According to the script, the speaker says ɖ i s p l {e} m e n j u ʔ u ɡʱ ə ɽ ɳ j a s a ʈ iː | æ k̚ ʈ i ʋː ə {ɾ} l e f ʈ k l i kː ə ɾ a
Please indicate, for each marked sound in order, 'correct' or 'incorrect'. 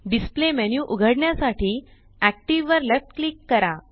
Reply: correct, correct

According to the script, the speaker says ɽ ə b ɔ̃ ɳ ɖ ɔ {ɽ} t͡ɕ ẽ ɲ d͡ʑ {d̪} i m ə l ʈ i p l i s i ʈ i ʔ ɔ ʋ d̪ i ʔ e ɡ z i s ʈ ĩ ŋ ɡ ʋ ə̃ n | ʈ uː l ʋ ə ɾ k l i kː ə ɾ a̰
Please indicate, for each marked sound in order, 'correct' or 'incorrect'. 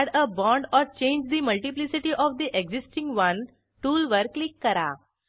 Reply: incorrect, correct

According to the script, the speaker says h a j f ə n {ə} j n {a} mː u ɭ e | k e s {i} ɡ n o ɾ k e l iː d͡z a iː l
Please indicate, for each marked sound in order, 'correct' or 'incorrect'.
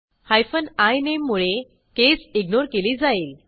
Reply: incorrect, incorrect, correct

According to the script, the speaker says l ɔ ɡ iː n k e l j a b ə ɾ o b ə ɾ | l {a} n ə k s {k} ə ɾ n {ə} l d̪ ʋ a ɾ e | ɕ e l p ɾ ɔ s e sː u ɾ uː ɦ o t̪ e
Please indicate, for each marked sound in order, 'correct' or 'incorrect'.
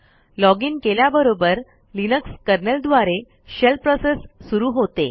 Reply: incorrect, correct, correct

